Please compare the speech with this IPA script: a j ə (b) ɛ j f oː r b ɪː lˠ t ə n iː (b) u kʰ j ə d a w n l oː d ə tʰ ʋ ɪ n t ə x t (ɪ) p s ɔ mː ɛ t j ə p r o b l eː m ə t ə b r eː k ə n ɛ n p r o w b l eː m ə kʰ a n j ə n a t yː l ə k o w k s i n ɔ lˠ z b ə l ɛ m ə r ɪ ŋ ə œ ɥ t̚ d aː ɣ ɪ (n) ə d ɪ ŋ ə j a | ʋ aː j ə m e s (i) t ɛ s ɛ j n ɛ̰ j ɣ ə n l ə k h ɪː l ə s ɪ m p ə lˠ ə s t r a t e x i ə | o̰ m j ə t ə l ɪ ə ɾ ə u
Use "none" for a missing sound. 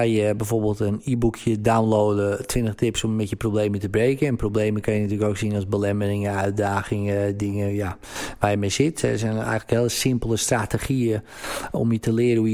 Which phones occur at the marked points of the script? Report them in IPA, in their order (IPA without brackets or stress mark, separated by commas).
b, b, ɪ, ŋ, ɪ